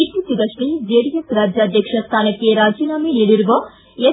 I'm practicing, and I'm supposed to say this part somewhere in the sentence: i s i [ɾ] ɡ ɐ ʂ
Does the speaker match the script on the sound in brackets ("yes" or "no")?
no